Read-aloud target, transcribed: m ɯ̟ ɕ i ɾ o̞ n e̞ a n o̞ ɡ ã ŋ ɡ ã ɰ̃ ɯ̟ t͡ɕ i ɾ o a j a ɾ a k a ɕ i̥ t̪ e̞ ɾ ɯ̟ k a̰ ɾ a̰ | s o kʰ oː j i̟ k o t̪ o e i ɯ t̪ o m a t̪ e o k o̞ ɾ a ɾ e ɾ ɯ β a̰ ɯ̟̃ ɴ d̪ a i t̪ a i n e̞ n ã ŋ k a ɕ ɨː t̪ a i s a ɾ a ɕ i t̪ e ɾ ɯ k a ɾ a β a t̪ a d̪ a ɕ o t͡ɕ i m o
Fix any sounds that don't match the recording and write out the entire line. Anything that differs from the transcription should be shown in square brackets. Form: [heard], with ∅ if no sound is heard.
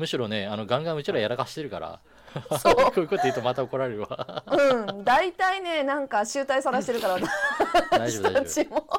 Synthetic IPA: m ɯ̟ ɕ i ɾ o̞ n e̞ a n o̞ ɡ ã ŋ ɡ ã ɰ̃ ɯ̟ t͡ɕ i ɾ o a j a ɾ a k a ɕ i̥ t̪ e̞ ɾ ɯ̟ k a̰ ɾ a̰ | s o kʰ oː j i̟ k o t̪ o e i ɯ t̪ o m a t̪ [a] o k o̞ ɾ a ɾ e ɾ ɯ β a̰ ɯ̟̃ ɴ d̪ a i t̪ a i n e̞ n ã ŋ k a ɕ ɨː t̪ a i s a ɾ a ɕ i t̪ e ɾ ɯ k a ɾ a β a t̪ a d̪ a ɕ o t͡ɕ i m o